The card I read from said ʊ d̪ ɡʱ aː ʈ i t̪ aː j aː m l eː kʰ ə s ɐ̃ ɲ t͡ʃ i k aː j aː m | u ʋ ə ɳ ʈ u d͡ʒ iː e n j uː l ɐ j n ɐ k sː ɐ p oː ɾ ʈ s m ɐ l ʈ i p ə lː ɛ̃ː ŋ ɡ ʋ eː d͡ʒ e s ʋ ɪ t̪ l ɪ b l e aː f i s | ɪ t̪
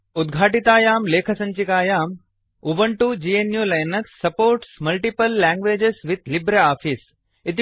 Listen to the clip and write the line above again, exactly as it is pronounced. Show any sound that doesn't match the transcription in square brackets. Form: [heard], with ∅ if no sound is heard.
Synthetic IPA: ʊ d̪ ɡʱ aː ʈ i t̪ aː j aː m l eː kʰ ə s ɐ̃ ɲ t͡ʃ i k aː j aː m | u ʋ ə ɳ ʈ u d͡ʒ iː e n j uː l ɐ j n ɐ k sː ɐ p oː ɾ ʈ s m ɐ l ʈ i p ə lː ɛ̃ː ŋ ɡ ʋ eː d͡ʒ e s ʋ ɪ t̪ l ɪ b [ɾ] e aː f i s | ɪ t̪